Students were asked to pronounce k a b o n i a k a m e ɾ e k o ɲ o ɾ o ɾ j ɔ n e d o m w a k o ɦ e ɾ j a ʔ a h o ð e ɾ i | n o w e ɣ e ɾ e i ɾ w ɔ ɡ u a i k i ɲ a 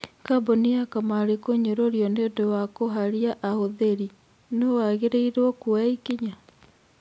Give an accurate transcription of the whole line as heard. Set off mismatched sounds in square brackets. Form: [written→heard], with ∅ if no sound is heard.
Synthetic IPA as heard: k a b o n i a k a m [e→a] ɾ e k o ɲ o ɾ o ɾ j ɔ n e d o [m→∅] w a k o ɦ [e→a] ɾ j a ʔ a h o ð e ɾ i | n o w [e→a] ɣ e ɾ e i ɾ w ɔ [ɡ→k] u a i k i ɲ a